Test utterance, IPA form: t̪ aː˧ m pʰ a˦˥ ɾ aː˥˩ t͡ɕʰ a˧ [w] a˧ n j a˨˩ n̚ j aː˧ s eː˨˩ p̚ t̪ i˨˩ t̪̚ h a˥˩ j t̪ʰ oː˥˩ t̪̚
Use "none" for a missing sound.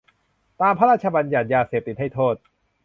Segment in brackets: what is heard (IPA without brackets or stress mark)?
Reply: b